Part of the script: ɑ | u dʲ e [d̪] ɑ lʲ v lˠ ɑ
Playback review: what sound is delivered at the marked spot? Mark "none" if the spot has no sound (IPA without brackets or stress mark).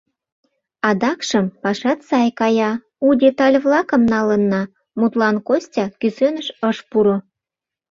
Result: t̪